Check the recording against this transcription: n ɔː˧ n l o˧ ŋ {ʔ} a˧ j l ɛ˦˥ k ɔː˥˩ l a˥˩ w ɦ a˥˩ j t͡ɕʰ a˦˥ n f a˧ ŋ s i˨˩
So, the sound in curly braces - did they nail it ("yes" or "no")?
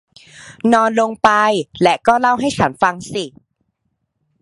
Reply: no